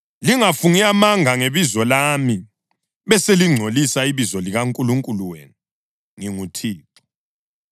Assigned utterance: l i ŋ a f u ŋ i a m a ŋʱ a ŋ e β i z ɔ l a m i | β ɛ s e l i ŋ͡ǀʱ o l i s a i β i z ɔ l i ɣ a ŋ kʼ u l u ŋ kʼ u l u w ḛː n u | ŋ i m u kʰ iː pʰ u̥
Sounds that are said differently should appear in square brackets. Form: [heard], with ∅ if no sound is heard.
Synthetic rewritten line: l i ŋ a f u ŋ i a m a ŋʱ a ŋ e β i z ɔ l a m i | β ɛ s e l i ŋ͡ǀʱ o l i s a i β i z ɔ l i ɣ a ŋ kʼ u l u ŋ kʼ u l u w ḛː n u | ŋ i [ŋ] u [tʰ] iː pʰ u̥